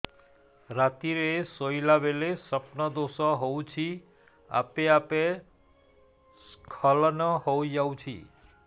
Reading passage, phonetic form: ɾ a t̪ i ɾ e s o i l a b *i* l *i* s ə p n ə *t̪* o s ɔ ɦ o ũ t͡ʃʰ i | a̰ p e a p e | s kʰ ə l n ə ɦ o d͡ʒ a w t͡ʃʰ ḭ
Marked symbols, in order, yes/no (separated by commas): no, no, no